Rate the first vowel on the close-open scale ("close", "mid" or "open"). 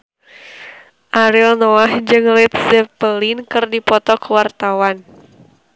open